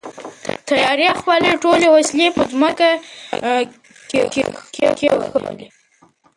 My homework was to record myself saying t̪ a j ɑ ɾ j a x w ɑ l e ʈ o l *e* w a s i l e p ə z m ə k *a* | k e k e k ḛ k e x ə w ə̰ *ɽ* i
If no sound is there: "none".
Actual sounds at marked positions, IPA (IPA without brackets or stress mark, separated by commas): e, a, l